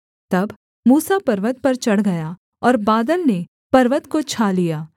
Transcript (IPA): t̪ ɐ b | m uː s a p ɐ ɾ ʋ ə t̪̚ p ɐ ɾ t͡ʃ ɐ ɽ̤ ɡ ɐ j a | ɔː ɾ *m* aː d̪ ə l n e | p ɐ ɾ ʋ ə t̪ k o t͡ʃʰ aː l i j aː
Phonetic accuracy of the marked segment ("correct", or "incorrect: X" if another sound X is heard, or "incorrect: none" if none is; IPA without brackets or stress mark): incorrect: b